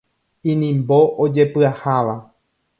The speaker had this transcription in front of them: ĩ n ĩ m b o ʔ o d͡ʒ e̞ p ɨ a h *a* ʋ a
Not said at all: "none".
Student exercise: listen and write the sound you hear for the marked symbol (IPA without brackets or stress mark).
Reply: a